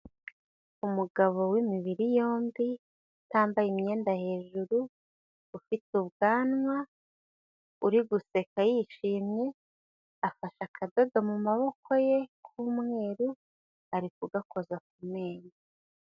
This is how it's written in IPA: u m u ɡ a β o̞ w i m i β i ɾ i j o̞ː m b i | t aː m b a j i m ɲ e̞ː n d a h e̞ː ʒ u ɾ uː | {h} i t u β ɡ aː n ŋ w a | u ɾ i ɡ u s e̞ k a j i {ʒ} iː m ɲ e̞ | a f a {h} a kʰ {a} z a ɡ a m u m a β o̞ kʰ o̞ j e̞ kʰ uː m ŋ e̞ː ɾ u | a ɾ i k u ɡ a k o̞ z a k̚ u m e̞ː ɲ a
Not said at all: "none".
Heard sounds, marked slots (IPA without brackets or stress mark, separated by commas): f, ʃ, ʃ, a